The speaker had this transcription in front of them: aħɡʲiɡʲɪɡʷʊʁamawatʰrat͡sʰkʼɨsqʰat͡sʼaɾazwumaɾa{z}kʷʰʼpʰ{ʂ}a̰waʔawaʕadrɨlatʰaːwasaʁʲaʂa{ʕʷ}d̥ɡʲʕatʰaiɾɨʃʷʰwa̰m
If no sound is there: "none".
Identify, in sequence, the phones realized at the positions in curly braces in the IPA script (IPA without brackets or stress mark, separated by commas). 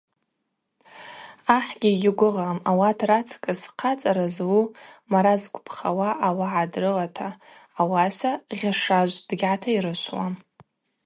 z, χ, ʒʷ